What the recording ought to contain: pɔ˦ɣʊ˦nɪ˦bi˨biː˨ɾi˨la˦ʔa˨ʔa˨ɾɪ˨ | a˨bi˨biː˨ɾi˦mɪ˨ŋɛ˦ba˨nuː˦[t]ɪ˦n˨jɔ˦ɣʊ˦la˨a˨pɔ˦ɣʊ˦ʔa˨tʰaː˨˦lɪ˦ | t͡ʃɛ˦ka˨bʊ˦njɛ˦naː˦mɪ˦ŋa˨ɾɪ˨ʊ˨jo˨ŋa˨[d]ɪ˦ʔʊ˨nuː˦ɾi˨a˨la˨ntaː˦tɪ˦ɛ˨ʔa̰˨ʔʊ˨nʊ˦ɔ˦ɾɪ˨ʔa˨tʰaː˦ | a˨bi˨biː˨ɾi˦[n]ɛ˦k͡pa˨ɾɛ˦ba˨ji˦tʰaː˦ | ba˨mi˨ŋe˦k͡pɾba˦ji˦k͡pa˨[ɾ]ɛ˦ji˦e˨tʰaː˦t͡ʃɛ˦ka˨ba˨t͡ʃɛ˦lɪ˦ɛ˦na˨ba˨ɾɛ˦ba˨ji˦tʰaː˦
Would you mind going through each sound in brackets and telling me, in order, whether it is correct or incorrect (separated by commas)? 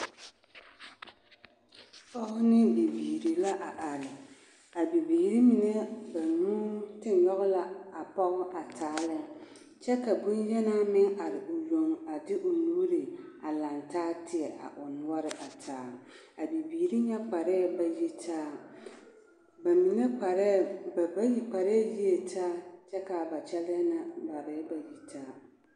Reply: correct, correct, incorrect, correct